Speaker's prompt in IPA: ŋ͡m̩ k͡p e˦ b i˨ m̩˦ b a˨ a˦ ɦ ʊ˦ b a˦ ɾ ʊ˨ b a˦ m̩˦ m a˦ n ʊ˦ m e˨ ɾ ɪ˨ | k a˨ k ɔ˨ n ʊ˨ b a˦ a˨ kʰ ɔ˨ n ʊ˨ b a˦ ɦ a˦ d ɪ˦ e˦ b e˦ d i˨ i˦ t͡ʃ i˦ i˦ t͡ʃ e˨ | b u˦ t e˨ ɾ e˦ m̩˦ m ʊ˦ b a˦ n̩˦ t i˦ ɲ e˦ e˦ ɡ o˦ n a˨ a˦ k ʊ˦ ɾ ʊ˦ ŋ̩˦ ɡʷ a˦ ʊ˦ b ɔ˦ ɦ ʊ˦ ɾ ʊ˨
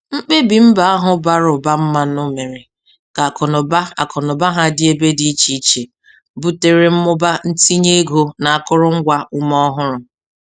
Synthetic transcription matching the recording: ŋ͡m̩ k͡p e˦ b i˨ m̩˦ b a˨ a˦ ɦ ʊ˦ b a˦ ɾ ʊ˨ b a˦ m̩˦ m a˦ n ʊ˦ m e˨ ɾ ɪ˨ | k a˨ k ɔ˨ n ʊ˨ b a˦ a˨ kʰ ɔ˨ n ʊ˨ b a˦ ɦ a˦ d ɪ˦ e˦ b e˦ d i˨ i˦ t͡ʃ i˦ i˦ t͡ʃ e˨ | b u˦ t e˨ ɾ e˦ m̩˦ m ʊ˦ b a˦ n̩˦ t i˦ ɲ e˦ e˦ ɡ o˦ n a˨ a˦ k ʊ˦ ɾ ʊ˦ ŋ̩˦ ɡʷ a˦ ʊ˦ m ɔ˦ ɦ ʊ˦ ɾ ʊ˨